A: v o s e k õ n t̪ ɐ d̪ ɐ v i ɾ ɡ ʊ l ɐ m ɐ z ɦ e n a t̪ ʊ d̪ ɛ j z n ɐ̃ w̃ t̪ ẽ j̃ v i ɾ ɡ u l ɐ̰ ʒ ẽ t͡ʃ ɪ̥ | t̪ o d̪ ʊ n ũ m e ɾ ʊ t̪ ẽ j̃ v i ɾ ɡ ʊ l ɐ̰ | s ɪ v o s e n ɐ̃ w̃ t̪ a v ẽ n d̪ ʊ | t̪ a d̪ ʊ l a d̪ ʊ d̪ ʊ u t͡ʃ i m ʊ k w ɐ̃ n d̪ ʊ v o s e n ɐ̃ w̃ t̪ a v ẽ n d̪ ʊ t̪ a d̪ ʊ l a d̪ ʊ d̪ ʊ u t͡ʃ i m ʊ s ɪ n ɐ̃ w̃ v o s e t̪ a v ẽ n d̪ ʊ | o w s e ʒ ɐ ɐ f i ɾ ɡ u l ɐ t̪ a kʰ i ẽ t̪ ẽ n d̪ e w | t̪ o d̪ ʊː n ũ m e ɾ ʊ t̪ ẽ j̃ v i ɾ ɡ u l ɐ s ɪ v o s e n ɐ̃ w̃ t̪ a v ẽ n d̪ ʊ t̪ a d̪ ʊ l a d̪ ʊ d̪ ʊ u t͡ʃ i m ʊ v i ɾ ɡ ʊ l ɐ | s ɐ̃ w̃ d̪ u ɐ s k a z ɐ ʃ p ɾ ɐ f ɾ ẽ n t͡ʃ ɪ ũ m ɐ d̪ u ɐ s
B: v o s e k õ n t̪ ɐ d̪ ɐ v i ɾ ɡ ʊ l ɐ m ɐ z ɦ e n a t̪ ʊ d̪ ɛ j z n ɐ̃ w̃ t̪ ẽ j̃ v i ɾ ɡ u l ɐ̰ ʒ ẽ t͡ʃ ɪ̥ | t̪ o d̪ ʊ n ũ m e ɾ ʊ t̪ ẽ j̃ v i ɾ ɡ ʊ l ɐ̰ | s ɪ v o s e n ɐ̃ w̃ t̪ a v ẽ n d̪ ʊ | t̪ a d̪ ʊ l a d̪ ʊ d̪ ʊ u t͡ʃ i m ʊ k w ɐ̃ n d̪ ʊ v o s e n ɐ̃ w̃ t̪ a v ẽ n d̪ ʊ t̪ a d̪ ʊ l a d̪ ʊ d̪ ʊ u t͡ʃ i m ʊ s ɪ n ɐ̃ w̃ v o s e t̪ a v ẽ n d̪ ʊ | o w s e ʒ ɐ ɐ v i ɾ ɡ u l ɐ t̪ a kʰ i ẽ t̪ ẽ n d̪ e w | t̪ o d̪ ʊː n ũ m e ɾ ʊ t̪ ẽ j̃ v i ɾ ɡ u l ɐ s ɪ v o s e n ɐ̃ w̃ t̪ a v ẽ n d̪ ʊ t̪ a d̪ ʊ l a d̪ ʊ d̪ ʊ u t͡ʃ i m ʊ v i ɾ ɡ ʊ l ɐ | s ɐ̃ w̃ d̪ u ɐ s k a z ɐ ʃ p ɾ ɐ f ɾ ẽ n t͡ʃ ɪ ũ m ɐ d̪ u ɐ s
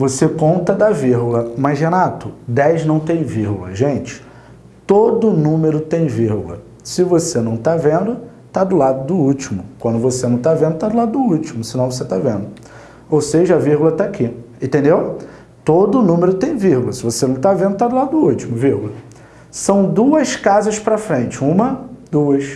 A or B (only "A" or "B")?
B